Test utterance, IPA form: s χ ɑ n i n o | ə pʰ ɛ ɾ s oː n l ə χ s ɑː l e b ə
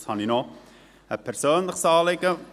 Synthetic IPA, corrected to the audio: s h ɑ n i n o | ə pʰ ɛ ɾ s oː n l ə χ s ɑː l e ɡ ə